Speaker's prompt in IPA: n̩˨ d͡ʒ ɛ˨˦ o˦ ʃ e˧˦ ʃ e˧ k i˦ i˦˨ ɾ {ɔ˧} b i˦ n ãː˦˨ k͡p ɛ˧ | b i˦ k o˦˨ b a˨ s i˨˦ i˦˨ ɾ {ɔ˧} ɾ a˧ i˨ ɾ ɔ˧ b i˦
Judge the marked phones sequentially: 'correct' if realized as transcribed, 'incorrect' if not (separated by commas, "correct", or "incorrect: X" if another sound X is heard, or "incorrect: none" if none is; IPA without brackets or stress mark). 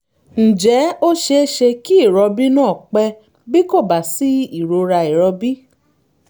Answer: correct, incorrect: o˧